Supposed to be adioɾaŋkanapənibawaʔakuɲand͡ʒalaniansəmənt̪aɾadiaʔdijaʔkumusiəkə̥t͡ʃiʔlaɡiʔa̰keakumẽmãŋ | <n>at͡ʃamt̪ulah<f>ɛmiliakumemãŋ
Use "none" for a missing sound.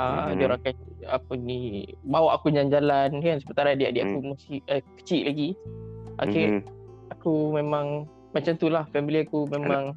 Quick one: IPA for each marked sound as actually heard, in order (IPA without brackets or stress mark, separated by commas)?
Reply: m, f